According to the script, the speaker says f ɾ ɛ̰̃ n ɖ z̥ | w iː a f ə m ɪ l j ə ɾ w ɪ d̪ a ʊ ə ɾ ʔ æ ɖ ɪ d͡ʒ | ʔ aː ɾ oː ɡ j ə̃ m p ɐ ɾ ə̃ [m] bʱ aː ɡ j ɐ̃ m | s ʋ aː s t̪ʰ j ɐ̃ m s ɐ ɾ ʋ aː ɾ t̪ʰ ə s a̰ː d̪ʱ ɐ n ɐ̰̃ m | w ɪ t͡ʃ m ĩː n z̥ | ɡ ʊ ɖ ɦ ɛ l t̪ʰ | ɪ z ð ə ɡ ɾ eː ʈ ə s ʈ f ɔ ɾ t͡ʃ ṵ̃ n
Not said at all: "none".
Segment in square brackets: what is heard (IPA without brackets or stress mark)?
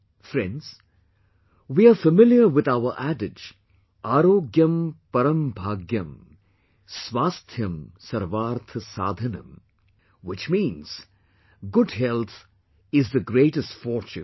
m